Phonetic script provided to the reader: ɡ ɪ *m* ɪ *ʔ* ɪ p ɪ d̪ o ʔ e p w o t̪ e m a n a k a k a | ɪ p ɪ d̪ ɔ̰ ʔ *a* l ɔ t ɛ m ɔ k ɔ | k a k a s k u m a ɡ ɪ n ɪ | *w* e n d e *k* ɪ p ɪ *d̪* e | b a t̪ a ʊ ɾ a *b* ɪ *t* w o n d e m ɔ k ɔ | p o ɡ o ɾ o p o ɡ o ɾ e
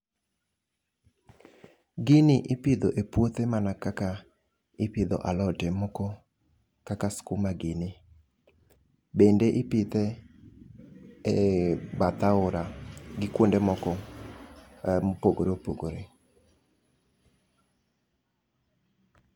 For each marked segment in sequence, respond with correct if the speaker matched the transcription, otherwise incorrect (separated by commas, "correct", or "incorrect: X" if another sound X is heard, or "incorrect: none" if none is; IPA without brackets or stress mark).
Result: incorrect: n, correct, correct, incorrect: b, incorrect: ʔ, incorrect: t̪, incorrect: ɡ, incorrect: k